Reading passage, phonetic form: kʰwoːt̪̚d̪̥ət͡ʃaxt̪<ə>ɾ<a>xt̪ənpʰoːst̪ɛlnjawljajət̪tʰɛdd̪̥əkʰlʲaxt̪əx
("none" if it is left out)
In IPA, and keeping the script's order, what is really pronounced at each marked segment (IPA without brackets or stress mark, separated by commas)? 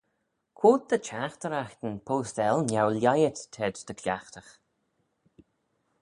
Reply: ə, a